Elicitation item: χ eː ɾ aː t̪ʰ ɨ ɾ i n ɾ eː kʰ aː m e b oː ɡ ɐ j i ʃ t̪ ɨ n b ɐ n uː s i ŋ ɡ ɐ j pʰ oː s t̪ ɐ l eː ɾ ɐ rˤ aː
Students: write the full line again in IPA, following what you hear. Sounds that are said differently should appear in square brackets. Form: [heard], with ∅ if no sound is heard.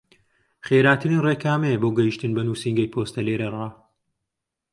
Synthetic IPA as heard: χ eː ɾ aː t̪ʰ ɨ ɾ i n [r] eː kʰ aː m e b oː ɡ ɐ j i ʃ t̪ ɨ n b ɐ n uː s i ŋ ɡ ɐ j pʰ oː s t̪ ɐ l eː ɾ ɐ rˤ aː

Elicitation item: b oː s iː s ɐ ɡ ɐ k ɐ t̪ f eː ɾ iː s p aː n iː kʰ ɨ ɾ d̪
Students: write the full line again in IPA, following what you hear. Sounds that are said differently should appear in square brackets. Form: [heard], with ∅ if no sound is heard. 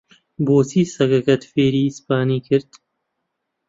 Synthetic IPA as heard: b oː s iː s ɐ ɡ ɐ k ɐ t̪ f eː ɾ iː s p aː n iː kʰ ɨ ɾ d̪

